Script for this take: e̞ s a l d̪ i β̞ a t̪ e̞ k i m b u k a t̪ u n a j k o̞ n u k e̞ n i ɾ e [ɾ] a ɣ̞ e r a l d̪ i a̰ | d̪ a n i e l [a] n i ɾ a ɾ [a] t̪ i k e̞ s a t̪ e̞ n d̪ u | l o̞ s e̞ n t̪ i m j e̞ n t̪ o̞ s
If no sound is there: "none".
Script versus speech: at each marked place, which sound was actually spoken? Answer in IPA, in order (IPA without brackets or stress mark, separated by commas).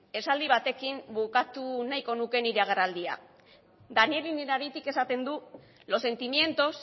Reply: none, i, i